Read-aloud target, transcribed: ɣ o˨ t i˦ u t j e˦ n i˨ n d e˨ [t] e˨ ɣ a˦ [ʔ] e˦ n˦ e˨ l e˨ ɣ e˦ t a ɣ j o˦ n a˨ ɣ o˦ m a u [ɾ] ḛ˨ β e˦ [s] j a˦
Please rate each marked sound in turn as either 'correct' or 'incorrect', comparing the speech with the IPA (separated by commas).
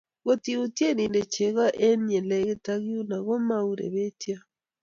incorrect, correct, correct, incorrect